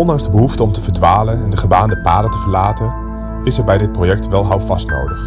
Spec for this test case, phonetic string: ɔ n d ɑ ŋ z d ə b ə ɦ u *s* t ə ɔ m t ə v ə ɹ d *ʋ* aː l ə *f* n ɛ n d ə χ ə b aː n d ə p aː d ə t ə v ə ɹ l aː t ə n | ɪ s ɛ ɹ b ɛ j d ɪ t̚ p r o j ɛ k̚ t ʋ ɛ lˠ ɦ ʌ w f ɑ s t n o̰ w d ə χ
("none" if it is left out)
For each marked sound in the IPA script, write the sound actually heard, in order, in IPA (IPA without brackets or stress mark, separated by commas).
f, ʋ, none